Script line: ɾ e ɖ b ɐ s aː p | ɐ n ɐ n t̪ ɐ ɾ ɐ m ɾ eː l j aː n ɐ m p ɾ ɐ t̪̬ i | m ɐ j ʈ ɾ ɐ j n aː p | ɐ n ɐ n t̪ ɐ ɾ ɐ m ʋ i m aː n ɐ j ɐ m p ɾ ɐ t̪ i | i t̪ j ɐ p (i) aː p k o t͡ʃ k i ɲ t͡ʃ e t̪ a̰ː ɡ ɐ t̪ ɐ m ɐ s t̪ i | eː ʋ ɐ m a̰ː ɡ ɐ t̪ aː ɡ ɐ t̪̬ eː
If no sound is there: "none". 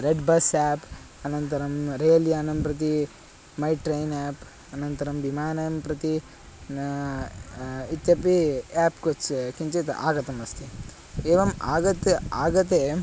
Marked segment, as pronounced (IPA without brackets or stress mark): i